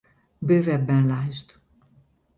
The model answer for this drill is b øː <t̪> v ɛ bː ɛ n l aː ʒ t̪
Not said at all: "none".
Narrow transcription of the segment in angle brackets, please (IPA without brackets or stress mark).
none